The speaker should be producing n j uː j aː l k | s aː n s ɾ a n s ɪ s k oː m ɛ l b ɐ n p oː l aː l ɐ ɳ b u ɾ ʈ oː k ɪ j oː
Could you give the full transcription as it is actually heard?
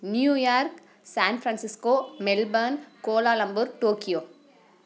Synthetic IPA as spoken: n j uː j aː ɾ k | s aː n f ɾ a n s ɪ s k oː m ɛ l b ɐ n k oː l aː l ɐ m b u ɾ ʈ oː k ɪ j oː